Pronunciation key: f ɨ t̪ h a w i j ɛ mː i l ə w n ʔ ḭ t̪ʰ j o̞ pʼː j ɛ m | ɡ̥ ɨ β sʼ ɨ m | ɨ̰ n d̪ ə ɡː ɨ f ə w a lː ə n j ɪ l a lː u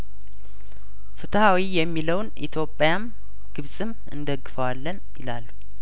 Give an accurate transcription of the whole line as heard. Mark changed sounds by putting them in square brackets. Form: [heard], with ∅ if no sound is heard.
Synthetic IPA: f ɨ t̪ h a w i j ɛ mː i l ə w n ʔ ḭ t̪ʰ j o̞ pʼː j [a] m | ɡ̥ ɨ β sʼ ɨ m | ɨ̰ n d̪ ə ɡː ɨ f ə w a lː ə n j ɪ l a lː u